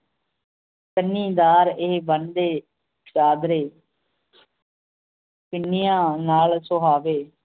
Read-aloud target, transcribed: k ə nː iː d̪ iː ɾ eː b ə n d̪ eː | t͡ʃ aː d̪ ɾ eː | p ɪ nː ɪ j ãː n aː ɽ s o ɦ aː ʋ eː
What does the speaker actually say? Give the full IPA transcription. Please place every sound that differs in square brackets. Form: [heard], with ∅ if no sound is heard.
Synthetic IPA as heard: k ə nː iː d̪ [aː] ɾ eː b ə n d̪ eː | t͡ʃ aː d̪ ɾ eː | p ɪ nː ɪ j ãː n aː [l] s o ɦ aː ʋ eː